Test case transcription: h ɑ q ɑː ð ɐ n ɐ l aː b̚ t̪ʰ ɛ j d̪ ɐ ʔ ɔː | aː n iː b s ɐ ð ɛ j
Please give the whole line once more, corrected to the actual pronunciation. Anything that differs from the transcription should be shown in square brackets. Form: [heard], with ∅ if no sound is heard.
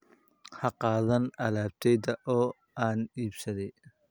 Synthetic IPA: h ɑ q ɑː ð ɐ n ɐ l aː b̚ t̪ʰ ɛ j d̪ ɐ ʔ ɔː | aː n iː b s ɐ ð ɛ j

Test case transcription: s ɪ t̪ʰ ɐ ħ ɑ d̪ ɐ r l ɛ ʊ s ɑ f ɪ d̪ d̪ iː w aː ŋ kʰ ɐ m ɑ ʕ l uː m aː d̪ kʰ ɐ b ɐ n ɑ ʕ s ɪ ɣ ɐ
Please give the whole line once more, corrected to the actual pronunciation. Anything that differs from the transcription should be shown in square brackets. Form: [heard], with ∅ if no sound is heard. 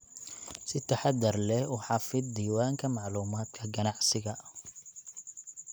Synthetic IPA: s ɪ t̪ʰ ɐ ħ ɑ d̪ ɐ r l ɛ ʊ [ħ] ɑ f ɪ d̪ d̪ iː w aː ŋ kʰ ɐ m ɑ ʕ l uː m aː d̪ kʰ ɐ [ɡ] ɐ n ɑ ʕ s ɪ ɣ ɐ

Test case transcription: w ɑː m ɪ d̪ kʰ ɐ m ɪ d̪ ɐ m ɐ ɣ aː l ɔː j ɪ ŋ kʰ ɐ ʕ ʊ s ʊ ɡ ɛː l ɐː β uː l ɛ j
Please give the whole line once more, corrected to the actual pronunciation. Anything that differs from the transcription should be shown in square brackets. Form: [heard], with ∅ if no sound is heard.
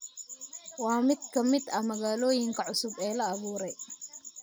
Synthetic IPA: w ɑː m ɪ d̪ kʰ ɐ m ɪ d̪ ɐ m ɐ ɣ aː l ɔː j ɪ ŋ kʰ ɐ ʕ ʊ s ʊ [b] ɛː l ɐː β uː [ɾ] ɛ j

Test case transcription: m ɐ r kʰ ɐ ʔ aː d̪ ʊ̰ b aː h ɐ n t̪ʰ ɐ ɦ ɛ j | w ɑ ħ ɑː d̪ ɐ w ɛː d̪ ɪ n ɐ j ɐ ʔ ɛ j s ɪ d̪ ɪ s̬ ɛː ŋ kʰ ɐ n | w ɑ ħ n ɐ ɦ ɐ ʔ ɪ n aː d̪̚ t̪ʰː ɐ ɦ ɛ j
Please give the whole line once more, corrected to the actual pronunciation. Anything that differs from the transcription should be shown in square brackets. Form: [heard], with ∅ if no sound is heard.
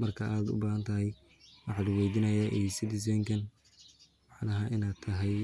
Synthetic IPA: m ɐ r kʰ ɐ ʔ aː d̪ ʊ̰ b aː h ɐ n t̪ʰ ɐ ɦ ɛ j | w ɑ ħ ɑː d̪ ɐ w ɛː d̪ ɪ n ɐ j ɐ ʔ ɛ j s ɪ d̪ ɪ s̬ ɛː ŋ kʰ ɐ n | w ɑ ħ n ɐ ɦ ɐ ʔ ɪ n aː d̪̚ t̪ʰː ɐ ɦ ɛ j

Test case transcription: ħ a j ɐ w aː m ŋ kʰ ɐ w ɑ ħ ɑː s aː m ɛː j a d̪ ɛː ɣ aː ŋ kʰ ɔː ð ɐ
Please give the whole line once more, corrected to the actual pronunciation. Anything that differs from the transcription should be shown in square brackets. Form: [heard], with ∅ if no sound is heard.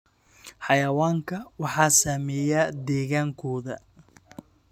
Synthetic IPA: ħ [ɑ] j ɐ w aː [∅] ŋ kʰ ɐ w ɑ ħ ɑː s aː m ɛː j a d̪ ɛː ɣ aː ŋ kʰ ɔː ð ɐ

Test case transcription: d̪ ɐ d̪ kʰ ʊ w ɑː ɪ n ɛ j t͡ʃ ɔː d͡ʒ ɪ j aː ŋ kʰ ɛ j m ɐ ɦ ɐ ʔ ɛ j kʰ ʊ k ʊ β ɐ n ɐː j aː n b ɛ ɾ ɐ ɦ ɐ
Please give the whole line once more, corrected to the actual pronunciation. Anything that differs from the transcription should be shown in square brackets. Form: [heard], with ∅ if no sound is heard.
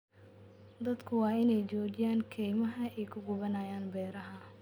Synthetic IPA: d̪ ɐ d̪ kʰ ʊ w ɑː ɪ n ɛ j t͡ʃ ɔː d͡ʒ ɪ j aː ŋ kʰ ɛ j m ɐ ɦ ɐ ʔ ɛ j kʰ ʊ [ɡ] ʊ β ɐ n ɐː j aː n b [ɛː] ɾ ɐ ɦ ɐ

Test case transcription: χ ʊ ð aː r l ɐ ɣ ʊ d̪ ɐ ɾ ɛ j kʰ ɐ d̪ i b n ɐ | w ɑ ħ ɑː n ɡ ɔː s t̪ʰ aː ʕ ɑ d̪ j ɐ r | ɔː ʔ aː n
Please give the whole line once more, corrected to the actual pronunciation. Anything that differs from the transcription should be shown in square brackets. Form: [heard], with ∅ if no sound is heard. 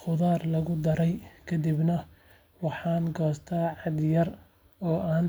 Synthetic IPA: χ ʊ ð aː r l ɐ ɣ ʊ d̪ ɐ ɾ ɛ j kʰ ɐ d̪ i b n ɐ | w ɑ ħ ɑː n ɡ ɔː s t̪ʰ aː ʕ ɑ d̪ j ɐ r | ɔː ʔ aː n

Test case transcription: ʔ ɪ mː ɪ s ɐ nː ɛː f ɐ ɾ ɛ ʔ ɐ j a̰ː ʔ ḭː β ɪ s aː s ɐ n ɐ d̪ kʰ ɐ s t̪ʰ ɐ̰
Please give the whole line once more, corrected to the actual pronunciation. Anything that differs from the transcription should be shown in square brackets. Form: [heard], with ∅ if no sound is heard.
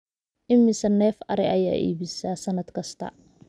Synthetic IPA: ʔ ɪ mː ɪ s ɐ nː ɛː f ɐ ɾ ɛ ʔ ɐ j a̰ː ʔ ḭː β ɪ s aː s ɐ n ɐ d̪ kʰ ɐ s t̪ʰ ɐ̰

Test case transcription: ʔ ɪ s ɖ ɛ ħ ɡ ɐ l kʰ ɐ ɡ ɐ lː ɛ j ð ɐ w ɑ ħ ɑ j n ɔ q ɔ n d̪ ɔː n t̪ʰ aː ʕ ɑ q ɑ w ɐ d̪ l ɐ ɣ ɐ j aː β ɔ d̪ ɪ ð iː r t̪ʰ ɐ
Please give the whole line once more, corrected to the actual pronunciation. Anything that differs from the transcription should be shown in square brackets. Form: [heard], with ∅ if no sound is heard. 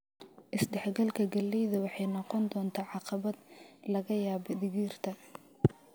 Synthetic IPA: ʔ ɪ s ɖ ɛ ħ ɡ ɐ l kʰ ɐ ɡ ɐ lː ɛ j ð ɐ w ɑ ħ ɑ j n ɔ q ɔ n d̪ ɔː n t̪ʰ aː ʕ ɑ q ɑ [β] ɐ d̪ l ɐ ɣ ɐ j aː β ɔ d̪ ɪ [ɣ] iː r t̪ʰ ɐ

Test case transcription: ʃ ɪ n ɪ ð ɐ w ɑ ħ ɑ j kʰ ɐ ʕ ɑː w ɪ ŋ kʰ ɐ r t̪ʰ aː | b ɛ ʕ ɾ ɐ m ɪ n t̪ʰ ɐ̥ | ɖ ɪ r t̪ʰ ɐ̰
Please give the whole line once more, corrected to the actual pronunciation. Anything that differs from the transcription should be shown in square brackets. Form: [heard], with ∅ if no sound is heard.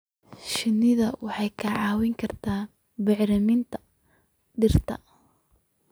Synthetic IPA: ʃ ɪ n ɪ ð ɐ w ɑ ħ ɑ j kʰ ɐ ʕ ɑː w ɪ ŋ kʰ ɐ r t̪ʰ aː | b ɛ ʕ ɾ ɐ m ɪ n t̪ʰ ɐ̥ | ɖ ɪ r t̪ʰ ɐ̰

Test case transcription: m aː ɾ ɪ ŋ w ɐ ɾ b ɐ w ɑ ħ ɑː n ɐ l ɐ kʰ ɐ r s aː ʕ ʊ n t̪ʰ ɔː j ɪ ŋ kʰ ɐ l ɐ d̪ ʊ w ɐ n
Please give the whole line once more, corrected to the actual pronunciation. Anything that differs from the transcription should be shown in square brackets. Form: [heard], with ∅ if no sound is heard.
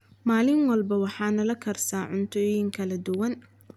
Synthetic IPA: m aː [l] ɪ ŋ w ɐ [l] b ɐ w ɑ ħ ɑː n ɐ l ɐ kʰ ɐ r s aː ʕ ʊ n t̪ʰ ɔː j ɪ ŋ kʰ ɐ l ɐ d̪ ʊ w ɐ n

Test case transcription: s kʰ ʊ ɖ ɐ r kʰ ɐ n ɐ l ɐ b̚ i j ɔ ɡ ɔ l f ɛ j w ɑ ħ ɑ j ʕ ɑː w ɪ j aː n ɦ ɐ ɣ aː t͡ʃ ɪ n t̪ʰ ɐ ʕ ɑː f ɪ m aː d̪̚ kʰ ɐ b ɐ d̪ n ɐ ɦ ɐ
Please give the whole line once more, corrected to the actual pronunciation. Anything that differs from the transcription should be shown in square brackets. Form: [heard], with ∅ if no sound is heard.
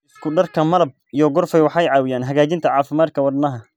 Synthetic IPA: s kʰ ʊ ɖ ɐ r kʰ ɐ [m] ɐ l ɐ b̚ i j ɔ ɡ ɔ [r] f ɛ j w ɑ ħ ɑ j ʕ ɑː w ɪ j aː n ɦ ɐ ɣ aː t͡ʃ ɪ n t̪ʰ ɐ ʕ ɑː f ɪ m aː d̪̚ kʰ ɐ [w] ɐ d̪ n ɐ ɦ ɐ

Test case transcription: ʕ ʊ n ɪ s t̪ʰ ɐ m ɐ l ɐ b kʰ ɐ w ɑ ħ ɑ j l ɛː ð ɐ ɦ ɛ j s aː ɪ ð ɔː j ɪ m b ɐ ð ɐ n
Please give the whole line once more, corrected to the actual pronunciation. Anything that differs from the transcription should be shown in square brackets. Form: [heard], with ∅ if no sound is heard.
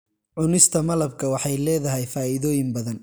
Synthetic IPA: ʕ ʊ n ɪ s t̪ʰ ɐ m ɐ l ɐ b kʰ ɐ w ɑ ħ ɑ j l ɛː ð ɐ ɦ ɛ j [f] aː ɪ ð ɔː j ɪ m b ɐ ð ɐ n

